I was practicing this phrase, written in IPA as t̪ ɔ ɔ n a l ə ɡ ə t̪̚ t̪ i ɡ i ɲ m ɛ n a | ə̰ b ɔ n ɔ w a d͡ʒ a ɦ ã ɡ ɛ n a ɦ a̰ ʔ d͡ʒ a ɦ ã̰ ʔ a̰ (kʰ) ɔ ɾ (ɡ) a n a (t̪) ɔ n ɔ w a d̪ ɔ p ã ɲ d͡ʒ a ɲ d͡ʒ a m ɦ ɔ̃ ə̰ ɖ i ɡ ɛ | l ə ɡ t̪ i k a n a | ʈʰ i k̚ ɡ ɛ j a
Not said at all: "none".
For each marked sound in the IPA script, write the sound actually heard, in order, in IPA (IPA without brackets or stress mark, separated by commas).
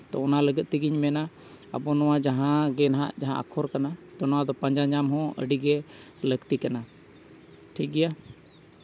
kʰ, k, t̪